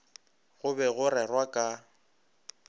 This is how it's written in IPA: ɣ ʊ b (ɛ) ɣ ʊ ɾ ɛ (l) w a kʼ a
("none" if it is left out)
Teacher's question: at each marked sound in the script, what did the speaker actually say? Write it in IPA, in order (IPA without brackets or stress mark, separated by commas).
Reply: ɛ, r